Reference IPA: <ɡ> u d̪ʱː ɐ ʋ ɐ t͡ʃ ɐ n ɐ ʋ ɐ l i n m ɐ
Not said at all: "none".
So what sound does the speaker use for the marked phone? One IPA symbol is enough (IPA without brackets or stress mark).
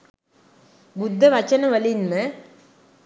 b